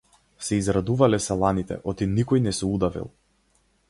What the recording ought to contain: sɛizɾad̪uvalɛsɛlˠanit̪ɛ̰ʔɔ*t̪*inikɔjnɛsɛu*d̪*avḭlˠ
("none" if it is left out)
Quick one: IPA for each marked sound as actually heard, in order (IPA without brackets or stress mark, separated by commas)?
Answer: t̪, d̪